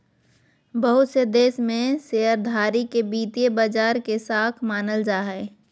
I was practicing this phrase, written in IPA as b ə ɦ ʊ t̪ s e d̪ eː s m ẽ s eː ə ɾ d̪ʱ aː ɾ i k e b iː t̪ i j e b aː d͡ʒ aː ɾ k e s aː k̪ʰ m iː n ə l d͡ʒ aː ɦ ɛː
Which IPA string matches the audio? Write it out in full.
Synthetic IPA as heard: b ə ɦ ʊ t̪ s e d̪ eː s m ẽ s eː ə ɾ d̪ʱ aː ɾ i k e b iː t̪ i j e b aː d͡ʒ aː ɾ k e s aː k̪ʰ m aː n ə l d͡ʒ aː ɦ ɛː